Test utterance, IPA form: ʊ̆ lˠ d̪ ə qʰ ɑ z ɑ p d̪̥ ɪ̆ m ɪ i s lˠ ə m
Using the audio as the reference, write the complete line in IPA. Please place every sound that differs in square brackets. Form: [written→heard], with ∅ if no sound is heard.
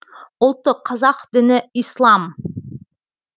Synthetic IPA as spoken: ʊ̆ lˠ [d̪→t̪] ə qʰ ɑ z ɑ [p→q] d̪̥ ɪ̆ [m→n] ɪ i s lˠ [ə→ɑ] m

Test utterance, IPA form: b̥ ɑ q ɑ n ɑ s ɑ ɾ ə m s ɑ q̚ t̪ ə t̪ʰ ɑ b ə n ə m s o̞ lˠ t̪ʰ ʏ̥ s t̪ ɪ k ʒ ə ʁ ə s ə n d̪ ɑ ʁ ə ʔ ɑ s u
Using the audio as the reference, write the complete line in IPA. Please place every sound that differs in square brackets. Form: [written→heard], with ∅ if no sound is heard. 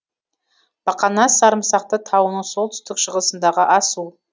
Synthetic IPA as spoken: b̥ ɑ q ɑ n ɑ s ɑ ɾ ə m s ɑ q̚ t̪ ə t̪ʰ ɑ [b→w] ə n ə [m→ɴ] s o̞ lˠ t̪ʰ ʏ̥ s t̪ ɪ k [ʒ→ʃ] ə ʁ ə s ə n d̪ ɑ ʁ ə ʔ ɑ s u

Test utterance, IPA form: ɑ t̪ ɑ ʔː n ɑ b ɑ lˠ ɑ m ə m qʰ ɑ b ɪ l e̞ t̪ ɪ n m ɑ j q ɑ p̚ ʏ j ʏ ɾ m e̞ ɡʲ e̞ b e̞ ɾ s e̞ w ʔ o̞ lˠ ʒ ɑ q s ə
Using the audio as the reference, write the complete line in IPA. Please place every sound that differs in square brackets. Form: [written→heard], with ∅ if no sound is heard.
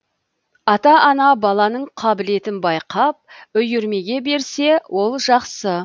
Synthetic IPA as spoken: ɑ t̪ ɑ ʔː n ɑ b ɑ lˠ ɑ [m→n] ə [m→ɴ] qʰ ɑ b ɪ l e̞ t̪ ɪ n [m→b] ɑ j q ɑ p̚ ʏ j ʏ ɾ m e̞ ɡʲ e̞ b e̞ ɾ s e̞ w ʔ o̞ lˠ ʒ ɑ q s ə

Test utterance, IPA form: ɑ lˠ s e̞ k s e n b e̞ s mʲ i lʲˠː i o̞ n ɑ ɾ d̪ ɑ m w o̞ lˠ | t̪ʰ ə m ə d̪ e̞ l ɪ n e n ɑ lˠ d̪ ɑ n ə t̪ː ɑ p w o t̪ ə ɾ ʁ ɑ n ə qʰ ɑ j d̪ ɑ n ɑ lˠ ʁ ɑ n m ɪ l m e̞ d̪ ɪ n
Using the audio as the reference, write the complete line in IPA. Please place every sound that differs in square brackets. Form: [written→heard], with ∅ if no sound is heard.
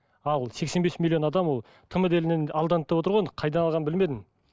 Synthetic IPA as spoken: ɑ lˠ s e̞ k s e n b e̞ s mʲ i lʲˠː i o̞ n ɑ [ɾ→∅] d̪ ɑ m w o̞ lˠ | t̪ʰ ə m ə d̪ e̞ l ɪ n e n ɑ lˠ d̪ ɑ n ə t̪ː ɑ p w o t̪ ə ɾ ʁ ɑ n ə qʰ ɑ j d̪ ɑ n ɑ lˠ ʁ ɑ n [m→b] ɪ l m e̞ d̪ ɪ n

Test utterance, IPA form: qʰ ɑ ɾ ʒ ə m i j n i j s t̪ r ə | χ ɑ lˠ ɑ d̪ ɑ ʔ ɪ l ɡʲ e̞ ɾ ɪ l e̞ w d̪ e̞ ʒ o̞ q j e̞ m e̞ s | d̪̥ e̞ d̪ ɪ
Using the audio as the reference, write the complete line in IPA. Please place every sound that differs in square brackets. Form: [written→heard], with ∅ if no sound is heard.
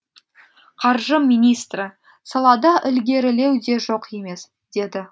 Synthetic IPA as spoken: qʰ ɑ ɾ ʒ ə m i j n i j s t̪ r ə | [χ→s] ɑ lˠ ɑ d̪ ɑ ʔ ɪ l ɡʲ e̞ ɾ ɪ l e̞ w d̪ e̞ ʒ o̞ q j e̞ m e̞ s | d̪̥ e̞ d̪ ɪ

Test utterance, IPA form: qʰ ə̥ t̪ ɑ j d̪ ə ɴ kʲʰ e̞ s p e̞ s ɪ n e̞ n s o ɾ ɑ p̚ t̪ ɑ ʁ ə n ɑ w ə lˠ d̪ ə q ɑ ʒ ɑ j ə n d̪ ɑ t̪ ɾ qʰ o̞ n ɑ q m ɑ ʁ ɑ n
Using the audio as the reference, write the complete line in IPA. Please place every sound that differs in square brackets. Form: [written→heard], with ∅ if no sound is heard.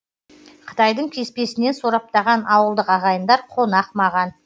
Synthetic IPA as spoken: qʰ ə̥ t̪ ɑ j d̪ ə ɴ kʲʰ e̞ s p e̞ s ɪ n e̞ n s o ɾ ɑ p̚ t̪ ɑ ʁ [ə→ɑ] n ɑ w ə lˠ d̪ ə q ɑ [ʒ→ʁ] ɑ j ə n d̪ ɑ [t̪→∅] ɾ qʰ o̞ n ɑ q m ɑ ʁ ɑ n

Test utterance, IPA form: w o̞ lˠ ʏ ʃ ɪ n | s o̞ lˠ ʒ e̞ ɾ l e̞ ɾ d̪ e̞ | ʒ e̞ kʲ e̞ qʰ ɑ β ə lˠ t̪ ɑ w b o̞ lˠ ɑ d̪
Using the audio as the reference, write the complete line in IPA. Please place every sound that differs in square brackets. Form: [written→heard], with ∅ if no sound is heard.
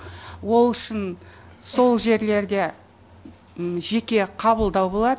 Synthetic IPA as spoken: w o̞ lˠ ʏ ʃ ɪ n | s o̞ lˠ ʒ e̞ ɾ l e̞ ɾ d̪ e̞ | ʒ e̞ kʲ e̞ qʰ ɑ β ə lˠ [t̪→d̪] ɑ w b o̞ lˠ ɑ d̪

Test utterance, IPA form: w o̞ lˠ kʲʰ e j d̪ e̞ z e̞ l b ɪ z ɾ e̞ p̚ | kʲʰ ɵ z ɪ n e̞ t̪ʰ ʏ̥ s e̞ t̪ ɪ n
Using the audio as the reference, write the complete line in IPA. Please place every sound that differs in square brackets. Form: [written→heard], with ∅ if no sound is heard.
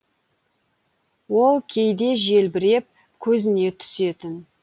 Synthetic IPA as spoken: w o̞ lˠ kʲʰ e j d̪ e̞ [z→ʒ] e̞ l b ɪ [z→∅] ɾ e̞ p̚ | kʲʰ ɵ z ɪ n e̞ t̪ʰ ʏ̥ s e̞ t̪ ɪ n

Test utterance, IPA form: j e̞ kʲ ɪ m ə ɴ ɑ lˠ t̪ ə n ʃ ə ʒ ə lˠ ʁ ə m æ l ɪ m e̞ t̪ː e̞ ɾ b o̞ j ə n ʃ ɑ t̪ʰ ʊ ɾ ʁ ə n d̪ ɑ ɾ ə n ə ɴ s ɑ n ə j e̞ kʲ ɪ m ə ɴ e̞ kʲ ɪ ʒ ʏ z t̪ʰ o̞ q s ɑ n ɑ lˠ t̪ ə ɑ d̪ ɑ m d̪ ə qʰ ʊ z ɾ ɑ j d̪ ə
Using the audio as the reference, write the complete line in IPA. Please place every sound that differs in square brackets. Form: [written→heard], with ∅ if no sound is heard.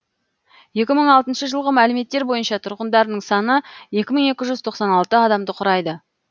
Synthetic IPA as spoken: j e̞ kʲ ɪ m ə ɴ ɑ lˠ t̪ ə n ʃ ə ʒ ə lˠ ʁ ə m æ l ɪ m e̞ t̪ː e̞ ɾ b o̞ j ə n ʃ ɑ t̪ʰ ʊ ɾ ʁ ə n d̪ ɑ ɾ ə n ə ɴ s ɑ n ə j e̞ kʲ ɪ m ə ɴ e̞ kʲ ɪ ʒ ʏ z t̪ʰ o̞ q s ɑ n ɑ lˠ t̪ ə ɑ d̪ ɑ m d̪ ə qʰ ʊ [z→∅] ɾ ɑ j d̪ ə

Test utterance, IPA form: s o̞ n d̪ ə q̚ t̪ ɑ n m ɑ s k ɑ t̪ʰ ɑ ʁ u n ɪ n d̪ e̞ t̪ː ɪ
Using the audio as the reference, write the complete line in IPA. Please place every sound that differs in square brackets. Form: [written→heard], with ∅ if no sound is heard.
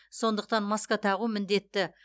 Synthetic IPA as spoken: s o̞ n d̪ ə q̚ t̪ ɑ n m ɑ s k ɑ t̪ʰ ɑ ʁ u [n→m] ɪ n d̪ e̞ t̪ː ɪ

